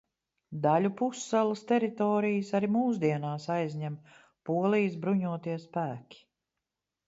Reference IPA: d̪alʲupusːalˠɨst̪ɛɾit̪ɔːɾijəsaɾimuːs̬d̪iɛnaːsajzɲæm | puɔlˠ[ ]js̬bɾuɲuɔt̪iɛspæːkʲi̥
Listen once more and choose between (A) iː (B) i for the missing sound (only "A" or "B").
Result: B